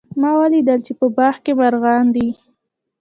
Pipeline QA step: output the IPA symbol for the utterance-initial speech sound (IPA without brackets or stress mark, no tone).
m